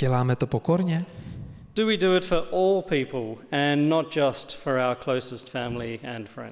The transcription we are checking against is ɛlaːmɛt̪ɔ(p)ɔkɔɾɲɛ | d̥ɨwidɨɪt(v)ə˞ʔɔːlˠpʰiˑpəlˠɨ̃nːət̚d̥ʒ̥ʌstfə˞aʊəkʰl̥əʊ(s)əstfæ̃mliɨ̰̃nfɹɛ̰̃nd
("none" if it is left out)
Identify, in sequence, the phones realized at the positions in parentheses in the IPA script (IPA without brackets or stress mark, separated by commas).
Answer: p, f, s